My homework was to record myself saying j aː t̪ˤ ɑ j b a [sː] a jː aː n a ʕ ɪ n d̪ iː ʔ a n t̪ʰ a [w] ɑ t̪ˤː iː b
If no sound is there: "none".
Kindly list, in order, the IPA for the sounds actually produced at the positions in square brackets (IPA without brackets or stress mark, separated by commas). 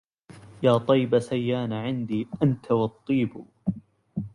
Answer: s, w